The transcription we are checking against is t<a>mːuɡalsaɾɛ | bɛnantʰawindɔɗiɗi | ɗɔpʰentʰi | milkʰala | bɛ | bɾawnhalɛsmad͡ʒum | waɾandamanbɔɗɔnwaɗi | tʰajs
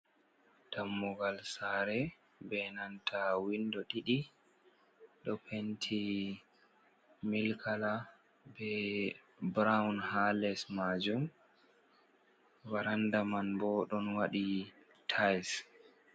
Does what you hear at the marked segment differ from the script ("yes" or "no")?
no